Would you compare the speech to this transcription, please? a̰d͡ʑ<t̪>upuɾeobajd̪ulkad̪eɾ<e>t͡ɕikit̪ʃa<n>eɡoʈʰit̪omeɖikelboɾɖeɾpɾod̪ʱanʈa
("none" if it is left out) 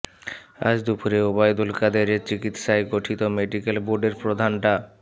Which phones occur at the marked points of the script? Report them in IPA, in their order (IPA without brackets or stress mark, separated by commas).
d̪, e, none